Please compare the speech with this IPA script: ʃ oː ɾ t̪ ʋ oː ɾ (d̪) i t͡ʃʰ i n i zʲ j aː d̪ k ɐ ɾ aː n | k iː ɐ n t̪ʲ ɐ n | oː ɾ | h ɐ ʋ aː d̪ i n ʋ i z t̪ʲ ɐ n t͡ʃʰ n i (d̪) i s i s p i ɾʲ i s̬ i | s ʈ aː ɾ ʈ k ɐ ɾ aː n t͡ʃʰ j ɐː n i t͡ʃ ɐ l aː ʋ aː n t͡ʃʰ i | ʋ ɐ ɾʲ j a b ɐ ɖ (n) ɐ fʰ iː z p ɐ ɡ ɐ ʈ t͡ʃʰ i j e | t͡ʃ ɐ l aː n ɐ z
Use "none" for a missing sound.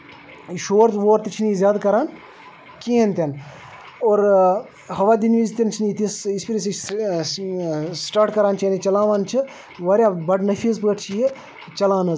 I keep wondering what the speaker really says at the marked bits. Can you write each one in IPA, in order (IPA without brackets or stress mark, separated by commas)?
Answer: t̪, t̪, n